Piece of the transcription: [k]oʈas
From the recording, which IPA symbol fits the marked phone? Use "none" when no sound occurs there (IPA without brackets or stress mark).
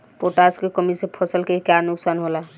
p